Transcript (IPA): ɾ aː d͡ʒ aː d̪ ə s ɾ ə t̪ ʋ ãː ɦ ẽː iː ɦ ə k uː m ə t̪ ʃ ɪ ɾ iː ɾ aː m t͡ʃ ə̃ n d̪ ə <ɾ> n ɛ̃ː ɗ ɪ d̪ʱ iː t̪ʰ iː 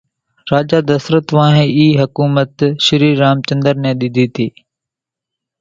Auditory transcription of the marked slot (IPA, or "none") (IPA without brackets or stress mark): ɾ